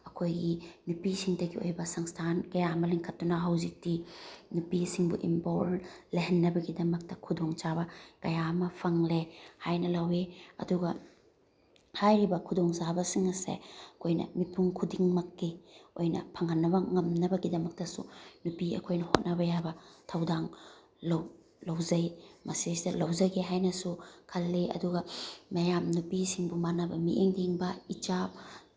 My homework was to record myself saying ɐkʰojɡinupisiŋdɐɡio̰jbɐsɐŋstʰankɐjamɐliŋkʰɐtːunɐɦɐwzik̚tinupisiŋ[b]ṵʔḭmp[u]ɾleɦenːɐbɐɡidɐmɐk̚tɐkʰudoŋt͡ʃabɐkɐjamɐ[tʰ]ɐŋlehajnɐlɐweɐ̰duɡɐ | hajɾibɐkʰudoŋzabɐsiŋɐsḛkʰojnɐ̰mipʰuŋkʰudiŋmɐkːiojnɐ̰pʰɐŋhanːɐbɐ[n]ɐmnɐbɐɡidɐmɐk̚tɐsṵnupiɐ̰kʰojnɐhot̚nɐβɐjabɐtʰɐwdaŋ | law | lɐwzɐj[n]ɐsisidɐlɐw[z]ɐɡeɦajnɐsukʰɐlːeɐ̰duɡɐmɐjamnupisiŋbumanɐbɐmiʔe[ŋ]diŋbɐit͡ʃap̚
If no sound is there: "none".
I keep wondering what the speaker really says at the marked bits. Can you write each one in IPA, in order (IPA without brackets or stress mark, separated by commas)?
b, o, pʰ, ŋ, m, z, ŋ